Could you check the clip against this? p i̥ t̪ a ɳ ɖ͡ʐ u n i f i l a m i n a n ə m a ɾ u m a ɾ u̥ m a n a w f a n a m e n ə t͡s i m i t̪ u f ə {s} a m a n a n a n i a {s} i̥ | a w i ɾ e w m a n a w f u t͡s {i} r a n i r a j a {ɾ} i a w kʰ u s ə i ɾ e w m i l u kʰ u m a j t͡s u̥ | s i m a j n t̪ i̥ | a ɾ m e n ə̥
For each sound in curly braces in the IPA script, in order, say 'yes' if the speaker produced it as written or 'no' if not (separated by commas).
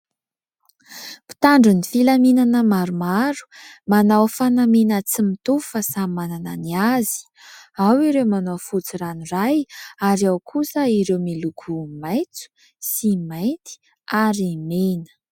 yes, no, yes, yes